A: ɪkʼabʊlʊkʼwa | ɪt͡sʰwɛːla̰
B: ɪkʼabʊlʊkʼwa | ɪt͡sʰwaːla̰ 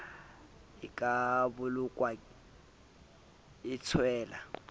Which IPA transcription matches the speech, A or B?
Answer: A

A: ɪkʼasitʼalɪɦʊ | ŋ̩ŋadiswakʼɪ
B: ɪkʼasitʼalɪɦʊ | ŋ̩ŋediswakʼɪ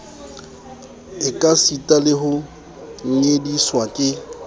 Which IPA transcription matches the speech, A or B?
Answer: B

